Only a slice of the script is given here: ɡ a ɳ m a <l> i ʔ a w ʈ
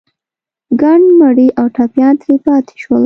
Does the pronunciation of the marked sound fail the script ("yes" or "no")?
yes